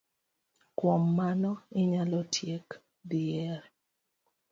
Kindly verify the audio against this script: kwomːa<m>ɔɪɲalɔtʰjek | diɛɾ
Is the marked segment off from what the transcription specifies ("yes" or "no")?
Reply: yes